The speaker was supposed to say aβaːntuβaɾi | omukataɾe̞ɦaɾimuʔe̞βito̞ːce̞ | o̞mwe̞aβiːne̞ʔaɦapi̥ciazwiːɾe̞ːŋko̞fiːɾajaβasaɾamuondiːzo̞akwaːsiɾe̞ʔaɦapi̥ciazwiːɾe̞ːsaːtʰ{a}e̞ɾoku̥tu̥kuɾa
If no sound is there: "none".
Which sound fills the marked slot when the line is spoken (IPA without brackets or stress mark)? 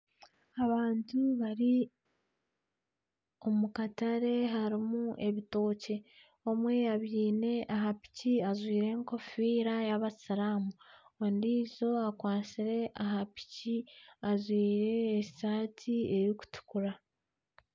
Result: i